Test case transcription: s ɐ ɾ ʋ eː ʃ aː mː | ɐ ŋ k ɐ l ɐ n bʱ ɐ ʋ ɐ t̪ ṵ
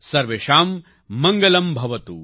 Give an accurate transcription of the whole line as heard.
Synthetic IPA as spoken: s ɐ ɾ ʋ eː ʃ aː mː | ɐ ŋ ɡ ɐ l ɐ m bʱ ɐ ʋ ɐ t̪ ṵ